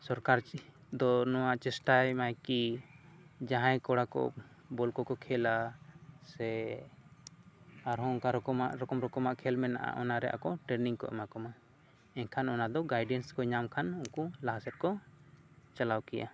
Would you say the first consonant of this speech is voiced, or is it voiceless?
voiceless